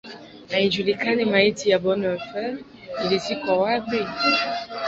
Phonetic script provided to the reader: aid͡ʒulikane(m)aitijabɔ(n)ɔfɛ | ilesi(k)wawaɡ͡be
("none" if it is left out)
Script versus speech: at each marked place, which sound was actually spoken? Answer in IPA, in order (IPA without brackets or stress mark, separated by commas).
m, n, k